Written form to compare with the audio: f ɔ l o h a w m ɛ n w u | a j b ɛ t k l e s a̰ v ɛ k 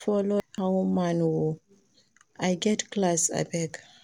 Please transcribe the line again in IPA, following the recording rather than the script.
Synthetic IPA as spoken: f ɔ l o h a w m a n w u | a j ɡ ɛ t k l a s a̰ b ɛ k